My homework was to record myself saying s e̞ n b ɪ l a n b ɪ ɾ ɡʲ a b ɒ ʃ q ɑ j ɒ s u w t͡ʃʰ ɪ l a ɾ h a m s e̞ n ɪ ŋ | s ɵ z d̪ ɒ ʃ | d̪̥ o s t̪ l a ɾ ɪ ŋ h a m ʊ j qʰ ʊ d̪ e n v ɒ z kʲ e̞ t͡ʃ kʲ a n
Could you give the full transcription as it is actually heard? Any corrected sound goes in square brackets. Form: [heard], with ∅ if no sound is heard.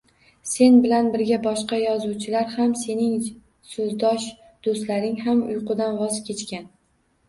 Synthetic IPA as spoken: s e̞ n b ɪ l a n b ɪ ɾ ɡʲ a b ɒ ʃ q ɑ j ɒ [z] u w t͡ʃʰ ɪ l a ɾ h a m s e̞ n ɪ ŋ | s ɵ z d̪ ɒ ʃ | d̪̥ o s t̪ l a ɾ ɪ ŋ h a m ʊ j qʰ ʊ d̪ [a] n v ɒ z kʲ e̞ t͡ʃ kʲ a n

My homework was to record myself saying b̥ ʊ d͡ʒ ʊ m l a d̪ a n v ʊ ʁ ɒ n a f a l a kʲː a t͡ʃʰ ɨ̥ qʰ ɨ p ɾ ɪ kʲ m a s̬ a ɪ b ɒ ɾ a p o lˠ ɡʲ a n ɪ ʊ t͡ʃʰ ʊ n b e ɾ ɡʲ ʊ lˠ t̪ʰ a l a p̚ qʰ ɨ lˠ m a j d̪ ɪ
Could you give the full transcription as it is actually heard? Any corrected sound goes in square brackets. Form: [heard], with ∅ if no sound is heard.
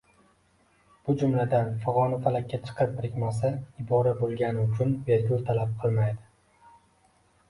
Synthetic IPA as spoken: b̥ ʊ d͡ʒ ʊ m l a d̪ a n [f] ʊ ʁ ɒ n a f a l a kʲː a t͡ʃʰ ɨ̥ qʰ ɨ p ɾ ɪ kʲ m a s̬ a ɪ b ɒ ɾ a [b] o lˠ ɡʲ a n ɪ ʊ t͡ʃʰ ʊ n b e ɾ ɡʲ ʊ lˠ t̪ʰ a l a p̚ qʰ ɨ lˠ m a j d̪ ɪ

